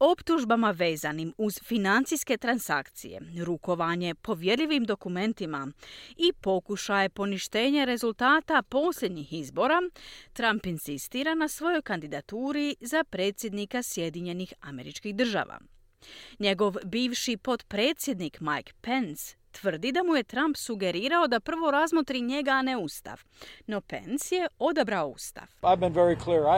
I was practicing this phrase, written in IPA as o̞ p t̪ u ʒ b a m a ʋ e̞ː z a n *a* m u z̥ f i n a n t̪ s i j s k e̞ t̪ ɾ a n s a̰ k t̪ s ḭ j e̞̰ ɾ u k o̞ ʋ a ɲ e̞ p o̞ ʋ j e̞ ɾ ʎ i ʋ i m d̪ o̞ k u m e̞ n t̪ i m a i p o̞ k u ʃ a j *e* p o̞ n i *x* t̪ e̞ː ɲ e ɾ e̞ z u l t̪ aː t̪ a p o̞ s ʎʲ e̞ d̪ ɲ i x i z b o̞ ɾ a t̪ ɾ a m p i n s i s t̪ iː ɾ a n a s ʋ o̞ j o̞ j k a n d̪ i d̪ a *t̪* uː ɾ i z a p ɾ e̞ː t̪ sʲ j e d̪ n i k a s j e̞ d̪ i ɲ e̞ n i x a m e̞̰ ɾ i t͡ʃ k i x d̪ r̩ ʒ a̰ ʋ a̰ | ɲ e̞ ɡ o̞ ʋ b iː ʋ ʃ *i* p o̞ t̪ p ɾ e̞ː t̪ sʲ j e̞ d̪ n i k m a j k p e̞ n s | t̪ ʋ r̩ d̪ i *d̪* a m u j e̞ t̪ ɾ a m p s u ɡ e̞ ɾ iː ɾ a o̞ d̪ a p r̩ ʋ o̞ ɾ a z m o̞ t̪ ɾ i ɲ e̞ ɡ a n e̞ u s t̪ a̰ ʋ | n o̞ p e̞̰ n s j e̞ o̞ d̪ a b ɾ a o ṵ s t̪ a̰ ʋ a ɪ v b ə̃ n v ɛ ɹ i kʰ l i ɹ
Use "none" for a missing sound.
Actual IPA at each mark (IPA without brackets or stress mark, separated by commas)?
i, e, ʃ, t̪, i, d̪